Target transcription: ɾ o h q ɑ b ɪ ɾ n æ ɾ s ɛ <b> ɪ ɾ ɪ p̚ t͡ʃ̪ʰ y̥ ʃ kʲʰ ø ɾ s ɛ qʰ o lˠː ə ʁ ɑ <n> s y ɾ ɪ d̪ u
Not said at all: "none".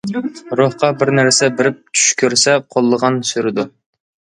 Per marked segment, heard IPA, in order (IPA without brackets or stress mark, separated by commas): b, n